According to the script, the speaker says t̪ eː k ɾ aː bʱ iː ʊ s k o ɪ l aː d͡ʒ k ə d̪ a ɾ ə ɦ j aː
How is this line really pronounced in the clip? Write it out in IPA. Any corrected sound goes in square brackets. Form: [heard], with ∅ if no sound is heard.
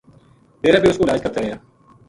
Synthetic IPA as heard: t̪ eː [∅] ɾ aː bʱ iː ʊ s k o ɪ l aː d͡ʒ k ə [t̪] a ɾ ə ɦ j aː